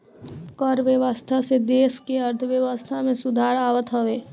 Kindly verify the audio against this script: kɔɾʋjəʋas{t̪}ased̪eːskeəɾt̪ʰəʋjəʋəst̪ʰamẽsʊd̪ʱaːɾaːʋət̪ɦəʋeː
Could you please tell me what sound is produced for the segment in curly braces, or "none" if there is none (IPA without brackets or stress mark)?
t̪ʰ